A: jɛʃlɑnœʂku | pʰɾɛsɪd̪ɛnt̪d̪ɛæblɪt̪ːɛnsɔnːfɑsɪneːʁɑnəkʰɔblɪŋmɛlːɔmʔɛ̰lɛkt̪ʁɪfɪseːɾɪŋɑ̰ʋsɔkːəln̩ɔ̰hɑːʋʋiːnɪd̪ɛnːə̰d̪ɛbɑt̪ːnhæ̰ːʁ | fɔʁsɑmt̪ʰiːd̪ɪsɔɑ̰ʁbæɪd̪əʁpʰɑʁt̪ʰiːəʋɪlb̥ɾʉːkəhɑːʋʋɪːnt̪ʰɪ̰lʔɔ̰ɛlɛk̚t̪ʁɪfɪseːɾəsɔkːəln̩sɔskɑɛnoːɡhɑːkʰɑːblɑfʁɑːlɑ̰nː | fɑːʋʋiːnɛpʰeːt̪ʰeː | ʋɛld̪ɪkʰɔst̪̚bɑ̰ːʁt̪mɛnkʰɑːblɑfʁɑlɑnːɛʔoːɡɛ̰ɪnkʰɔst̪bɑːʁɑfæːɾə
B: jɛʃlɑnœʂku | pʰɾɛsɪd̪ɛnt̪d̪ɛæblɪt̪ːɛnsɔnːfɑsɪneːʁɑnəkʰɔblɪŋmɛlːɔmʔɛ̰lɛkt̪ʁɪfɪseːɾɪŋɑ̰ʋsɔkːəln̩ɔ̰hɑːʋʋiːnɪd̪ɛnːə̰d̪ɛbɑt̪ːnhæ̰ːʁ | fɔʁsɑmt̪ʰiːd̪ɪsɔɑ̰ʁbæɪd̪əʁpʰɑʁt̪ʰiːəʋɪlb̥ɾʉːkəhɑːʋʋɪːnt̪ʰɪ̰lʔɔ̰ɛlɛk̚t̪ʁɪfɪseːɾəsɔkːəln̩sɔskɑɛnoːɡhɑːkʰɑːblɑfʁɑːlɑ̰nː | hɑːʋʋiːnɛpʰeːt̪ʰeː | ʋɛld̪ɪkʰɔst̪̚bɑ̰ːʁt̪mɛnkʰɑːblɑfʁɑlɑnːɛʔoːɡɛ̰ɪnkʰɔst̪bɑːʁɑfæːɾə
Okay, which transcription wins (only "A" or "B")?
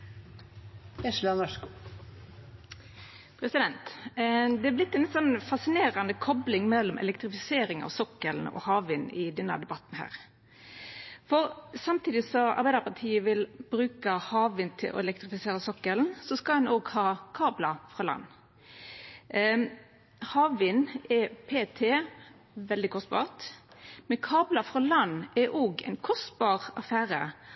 B